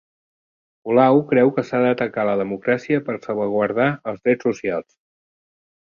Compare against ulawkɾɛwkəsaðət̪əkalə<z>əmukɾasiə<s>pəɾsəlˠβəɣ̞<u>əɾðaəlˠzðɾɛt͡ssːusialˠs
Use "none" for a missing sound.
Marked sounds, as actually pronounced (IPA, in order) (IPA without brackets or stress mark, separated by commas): ð, none, w